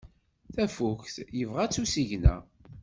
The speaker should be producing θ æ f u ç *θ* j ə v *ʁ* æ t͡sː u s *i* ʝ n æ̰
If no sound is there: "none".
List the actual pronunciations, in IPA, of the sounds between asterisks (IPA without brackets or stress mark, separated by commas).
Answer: θ, ʁ, i